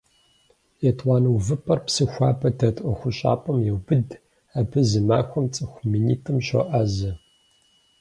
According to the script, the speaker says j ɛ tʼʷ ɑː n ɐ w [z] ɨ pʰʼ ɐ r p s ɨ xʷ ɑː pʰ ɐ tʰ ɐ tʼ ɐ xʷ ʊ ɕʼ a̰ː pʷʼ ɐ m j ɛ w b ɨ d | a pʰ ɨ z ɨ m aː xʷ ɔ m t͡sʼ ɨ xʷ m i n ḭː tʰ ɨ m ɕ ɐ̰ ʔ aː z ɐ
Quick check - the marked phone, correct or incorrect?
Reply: incorrect